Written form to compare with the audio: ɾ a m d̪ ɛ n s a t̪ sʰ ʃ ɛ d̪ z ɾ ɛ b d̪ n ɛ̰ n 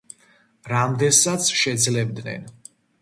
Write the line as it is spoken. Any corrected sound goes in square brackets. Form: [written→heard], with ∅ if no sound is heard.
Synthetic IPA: ɾ a m d̪ ɛ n s a t̪ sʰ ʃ ɛ d̪ z [ɾ→l] ɛ b d̪ n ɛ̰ n

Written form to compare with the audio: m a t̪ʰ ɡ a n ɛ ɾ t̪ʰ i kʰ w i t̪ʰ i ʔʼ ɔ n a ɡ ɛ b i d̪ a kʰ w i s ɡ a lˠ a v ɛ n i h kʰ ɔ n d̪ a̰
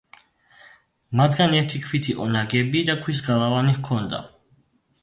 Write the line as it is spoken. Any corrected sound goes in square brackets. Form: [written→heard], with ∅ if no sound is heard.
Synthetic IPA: m a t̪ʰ ɡ a n ɛ ɾ t̪ʰ i kʰ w i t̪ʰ i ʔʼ ɔ n a ɡ ɛ b i d̪ a kʰ w i s ɡ a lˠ a v [ɛ→a] n i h kʰ ɔ n d̪ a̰

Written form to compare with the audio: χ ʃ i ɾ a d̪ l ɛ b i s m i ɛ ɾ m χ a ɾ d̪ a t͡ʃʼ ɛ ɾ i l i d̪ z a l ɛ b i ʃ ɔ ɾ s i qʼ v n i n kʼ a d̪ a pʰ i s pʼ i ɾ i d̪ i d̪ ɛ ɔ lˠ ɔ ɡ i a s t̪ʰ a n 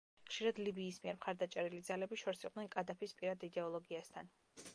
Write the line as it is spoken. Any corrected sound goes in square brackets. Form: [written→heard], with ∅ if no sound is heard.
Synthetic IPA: χ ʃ i ɾ a d̪ l [ɛ→i] b [i→iː] s m i ɛ ɾ m χ a ɾ d̪ a t͡ʃʼ ɛ ɾ i l i d̪ z a l ɛ b i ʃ ɔ ɾ s i qʼ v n [i→ɛ] n kʼ a d̪ a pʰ i s pʼ i ɾ [i→a] d̪ i d̪ ɛ ɔ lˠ ɔ ɡ i a s t̪ʰ a n

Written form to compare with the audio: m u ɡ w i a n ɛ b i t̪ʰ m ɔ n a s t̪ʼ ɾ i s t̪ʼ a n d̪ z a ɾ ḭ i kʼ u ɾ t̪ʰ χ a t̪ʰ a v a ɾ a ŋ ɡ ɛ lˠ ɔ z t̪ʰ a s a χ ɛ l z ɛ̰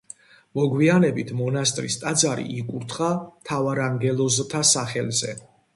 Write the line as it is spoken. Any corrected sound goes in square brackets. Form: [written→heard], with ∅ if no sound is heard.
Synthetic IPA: m [u→ɔ] ɡ w i a n ɛ b i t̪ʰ m ɔ n a s t̪ʼ ɾ i s t̪ʼ a [n→∅] d̪ z a ɾ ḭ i kʼ u ɾ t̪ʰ χ a t̪ʰ a v a ɾ a ŋ ɡ ɛ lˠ ɔ z t̪ʰ a s a χ ɛ l z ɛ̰

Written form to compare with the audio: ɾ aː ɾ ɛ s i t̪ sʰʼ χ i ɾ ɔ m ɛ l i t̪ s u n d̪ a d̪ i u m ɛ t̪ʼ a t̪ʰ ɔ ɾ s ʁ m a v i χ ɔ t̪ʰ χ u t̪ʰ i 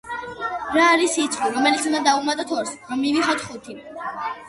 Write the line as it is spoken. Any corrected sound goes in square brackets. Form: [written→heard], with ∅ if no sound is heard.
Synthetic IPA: ɾ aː ɾ [ɛ→i] s i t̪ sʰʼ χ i ɾ ɔ m ɛ l i t̪ s u n d̪ a d̪ [i→a] u m [ɛ→a] t̪ʼ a t̪ʰ ɔ ɾ s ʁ m [a→i] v i χ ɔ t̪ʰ χ u t̪ʰ i

